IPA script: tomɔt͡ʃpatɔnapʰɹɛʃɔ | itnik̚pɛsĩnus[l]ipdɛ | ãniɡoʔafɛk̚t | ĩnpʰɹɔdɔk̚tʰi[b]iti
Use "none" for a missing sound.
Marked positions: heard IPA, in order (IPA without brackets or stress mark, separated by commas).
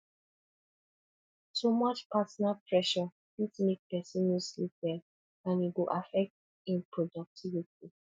l, v